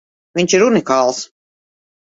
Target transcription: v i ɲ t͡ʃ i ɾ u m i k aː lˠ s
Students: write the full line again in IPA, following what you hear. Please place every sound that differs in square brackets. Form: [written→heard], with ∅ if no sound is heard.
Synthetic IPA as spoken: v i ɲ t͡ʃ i ɾ u [m→n] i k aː lˠ s